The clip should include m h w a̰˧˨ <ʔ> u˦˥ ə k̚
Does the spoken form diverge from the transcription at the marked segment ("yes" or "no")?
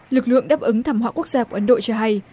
yes